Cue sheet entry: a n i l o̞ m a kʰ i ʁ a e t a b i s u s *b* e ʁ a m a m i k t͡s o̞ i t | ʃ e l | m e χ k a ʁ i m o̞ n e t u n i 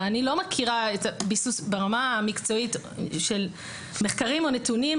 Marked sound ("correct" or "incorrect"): correct